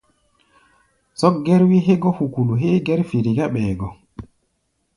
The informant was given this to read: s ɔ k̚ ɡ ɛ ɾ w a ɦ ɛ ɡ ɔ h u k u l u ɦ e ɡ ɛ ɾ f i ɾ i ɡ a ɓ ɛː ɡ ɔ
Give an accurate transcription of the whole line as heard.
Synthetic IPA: s ɔ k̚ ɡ ɛ ɾ w i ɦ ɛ ɡ ɔ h u k u l u ɦ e ɡ ɛ ɾ f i ɾ i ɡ a ɓ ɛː ɡ ɔ